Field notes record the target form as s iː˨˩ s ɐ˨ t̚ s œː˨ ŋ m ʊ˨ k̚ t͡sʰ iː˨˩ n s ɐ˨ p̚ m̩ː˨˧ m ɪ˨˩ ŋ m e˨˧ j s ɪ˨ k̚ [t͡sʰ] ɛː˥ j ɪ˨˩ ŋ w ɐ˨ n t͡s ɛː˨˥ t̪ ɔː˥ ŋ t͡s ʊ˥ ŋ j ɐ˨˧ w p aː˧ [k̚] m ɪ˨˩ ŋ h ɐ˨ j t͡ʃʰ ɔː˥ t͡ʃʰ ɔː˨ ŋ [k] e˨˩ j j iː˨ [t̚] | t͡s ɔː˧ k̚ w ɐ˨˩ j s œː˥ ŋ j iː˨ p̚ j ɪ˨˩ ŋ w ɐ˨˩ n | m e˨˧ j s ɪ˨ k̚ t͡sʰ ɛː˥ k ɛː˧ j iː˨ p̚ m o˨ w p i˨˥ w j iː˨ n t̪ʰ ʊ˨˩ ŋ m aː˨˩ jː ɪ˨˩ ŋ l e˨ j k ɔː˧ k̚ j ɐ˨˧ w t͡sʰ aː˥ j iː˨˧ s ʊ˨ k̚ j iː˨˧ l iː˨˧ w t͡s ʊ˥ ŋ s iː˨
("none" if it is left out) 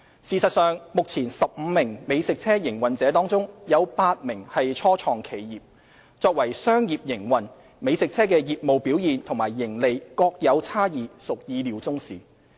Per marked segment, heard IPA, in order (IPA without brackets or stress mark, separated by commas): t͡sʰ, t̚, kʰ, p̚